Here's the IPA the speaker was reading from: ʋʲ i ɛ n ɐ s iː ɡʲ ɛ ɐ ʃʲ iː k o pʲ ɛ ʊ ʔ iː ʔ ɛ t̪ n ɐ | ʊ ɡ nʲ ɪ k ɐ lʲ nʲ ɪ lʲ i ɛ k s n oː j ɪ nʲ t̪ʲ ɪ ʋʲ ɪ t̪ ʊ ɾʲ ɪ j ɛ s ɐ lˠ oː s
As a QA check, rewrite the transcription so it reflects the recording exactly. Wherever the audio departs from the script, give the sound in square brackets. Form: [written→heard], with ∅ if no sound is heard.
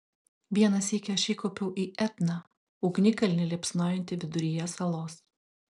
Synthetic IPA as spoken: ʋʲ i ɛ n ɐ s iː [ɡʲ→kʲ] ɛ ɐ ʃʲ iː k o pʲ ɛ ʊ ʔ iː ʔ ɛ t̪ n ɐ | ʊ ɡ nʲ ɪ k ɐ lʲ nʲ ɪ lʲ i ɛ [k→p] s n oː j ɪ nʲ t̪ʲ ɪ ʋʲ ɪ [t̪→d̪] ʊ ɾʲ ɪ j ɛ s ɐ lˠ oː s

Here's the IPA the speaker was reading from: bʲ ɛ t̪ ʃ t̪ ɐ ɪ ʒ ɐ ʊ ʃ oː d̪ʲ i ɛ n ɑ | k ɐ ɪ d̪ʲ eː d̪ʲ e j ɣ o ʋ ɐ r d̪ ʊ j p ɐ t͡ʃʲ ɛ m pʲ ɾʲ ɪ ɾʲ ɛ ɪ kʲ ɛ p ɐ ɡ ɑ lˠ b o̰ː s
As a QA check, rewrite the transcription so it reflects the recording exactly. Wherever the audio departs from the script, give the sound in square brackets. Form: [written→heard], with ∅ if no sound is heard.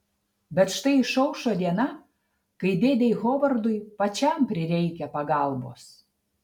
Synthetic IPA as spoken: bʲ ɛ t̪ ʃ t̪ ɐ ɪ [ʒ→ʃ] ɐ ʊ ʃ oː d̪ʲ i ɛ n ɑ | k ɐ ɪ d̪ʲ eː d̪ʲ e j ɣ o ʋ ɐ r d̪ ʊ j p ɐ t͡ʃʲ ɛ m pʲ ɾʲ ɪ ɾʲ ɛ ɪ kʲ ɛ p ɐ ɡ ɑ lˠ b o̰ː s

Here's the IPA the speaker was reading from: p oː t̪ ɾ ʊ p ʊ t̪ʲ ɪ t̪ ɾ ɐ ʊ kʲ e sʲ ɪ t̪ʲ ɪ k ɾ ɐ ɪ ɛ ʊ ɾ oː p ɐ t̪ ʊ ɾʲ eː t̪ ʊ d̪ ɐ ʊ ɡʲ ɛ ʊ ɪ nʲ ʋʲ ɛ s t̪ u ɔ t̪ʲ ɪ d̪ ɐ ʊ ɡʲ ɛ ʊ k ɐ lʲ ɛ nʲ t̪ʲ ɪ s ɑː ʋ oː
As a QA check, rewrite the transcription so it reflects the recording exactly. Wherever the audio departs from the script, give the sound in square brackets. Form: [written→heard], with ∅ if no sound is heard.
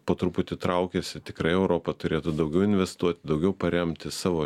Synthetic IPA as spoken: p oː t̪ ɾ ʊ p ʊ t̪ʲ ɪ t̪ ɾ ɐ ʊ kʲ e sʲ ɪ t̪ʲ ɪ k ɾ ɐ ɪ ɛ ʊ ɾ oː p ɐ t̪ ʊ ɾʲ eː t̪ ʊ d̪ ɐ ʊ ɡʲ ɛ ʊ ɪ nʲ ʋʲ ɛ s t̪ u ɔ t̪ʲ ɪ d̪ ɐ ʊ ɡʲ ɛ ʊ [k→p] ɐ [lʲ→ɾʲ] ɛ [nʲ→mʲ] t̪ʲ ɪ s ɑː ʋ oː

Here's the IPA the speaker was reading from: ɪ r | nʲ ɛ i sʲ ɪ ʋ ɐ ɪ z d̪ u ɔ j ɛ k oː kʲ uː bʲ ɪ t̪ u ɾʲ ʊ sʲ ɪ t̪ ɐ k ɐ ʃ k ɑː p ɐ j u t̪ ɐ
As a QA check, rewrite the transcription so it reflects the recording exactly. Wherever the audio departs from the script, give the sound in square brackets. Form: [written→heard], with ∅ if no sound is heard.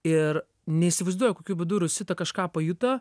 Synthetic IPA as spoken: ɪ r | nʲ ɛ i sʲ ɪ ʋ ɐ ɪ z d̪ u ɔ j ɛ k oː kʲ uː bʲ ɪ [t̪→d̪] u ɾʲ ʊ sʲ ɪ t̪ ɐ k ɐ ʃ k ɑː p ɐ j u t̪ ɐ

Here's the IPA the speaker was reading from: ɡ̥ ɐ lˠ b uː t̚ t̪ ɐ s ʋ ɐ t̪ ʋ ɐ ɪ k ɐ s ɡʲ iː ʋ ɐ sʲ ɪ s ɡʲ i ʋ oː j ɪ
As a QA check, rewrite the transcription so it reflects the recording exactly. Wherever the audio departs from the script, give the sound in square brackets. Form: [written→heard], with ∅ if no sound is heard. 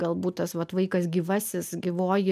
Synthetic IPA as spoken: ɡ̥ ɐ lˠ b uː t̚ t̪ ɐ s ʋ ɐ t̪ ʋ ɐ ɪ k ɐ s ɡʲ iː ʋ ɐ sʲ ɪ s ɡʲ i ʋ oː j ɪ

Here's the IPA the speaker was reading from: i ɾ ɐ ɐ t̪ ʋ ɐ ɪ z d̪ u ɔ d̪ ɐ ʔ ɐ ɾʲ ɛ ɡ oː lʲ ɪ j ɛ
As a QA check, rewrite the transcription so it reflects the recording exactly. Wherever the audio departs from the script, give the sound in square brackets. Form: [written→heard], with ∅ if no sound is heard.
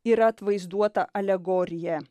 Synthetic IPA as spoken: i ɾ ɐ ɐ t̪ ʋ ɐ ɪ z d̪ u ɔ [d̪→t̪] ɐ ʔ ɐ [ɾʲ→lʲ] ɛ ɡ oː [lʲ→ɾʲ] ɪ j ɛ

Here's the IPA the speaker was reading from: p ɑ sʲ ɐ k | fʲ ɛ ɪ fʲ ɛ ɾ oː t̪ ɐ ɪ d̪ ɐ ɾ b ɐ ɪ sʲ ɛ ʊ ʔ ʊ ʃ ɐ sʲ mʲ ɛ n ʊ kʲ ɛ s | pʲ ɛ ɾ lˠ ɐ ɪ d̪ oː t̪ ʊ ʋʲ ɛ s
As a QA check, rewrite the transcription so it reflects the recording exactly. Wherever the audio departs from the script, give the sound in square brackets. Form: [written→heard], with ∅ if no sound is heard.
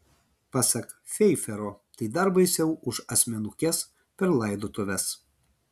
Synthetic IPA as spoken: p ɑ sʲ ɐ k | fʲ ɛ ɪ fʲ ɛ ɾ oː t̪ ɐ ɪ d̪ ɐ ɾ b ɐ ɪ sʲ ɛ ʊ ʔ ʊ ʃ ɐ sʲ mʲ ɛ n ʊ kʲ ɛ s | pʲ ɛ ɾ lˠ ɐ ɪ d̪ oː t̪ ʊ ʋʲ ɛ s

